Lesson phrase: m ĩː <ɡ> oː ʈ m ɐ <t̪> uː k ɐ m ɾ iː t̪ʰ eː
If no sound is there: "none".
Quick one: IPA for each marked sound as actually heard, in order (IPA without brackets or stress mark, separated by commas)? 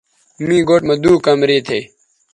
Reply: ɡ, d̪